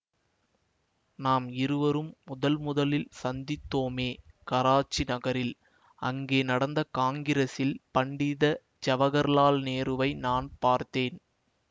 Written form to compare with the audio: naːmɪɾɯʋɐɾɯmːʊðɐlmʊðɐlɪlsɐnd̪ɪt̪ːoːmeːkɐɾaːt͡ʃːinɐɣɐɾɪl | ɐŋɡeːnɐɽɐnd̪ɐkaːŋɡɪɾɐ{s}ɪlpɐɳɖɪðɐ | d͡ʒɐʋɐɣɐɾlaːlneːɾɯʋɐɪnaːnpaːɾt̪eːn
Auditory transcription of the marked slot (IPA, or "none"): s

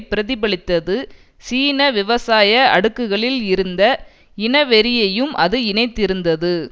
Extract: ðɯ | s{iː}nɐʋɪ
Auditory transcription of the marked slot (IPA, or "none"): iː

